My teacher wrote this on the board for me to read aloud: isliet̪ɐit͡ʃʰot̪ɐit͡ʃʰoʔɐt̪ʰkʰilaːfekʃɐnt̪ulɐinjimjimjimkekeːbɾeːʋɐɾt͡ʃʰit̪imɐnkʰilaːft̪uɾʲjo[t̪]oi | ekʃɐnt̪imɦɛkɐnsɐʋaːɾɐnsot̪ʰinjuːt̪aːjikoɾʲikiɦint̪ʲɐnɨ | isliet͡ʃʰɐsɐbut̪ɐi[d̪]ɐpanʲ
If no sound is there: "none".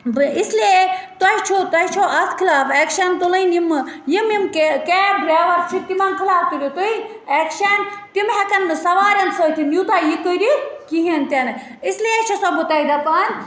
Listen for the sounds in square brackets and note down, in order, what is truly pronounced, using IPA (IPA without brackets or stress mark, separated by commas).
t̪, d̪